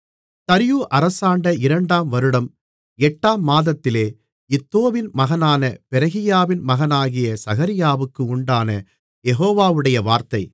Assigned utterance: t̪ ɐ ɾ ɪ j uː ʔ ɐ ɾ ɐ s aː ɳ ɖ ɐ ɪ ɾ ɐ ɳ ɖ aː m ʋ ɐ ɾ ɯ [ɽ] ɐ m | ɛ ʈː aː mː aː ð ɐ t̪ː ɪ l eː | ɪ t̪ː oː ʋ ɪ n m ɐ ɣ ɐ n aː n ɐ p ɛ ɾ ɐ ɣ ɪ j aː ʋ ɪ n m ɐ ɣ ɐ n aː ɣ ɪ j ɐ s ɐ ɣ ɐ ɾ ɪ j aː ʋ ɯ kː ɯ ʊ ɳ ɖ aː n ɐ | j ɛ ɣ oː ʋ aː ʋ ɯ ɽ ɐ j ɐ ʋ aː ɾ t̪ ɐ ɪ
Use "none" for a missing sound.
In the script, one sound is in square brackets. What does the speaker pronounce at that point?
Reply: ɽ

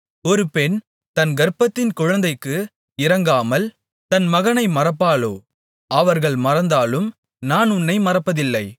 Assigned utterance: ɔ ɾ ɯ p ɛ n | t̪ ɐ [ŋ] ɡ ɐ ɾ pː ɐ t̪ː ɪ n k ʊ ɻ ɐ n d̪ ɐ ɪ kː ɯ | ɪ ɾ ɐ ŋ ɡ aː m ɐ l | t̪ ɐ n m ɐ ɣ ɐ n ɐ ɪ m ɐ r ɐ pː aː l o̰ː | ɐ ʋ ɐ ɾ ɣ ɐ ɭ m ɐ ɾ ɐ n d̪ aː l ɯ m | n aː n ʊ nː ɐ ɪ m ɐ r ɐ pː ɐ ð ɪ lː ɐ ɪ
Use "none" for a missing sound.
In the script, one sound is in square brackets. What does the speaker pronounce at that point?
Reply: n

